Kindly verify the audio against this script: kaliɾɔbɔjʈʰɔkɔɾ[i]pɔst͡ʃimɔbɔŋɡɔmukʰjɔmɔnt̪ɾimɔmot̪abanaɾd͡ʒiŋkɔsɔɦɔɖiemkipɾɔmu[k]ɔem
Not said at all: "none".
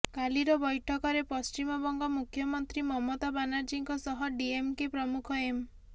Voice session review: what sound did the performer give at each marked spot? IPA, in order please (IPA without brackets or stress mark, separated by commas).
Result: e, kʰ